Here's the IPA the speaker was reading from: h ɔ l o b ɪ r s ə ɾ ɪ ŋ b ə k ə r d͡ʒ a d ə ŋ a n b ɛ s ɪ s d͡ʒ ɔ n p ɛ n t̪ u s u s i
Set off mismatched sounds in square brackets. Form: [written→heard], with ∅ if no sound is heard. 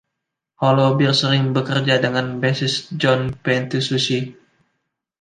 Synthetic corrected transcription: h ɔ l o b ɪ r s ə ɾ ɪ ŋ b ə k ə r d͡ʒ a d ə ŋ a n b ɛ s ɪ s d͡ʒ ɔ n p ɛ n t̪ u s u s i